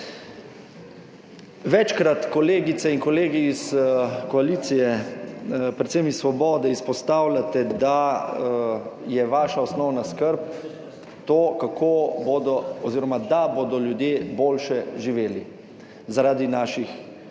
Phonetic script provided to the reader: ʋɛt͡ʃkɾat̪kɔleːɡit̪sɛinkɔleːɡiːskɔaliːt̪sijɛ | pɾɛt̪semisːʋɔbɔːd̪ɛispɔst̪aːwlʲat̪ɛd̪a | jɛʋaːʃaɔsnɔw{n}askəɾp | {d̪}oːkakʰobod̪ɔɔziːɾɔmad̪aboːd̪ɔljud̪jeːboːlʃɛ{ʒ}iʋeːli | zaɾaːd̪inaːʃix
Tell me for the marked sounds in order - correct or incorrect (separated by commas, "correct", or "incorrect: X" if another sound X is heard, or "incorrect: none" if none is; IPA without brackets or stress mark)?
correct, incorrect: t̪, correct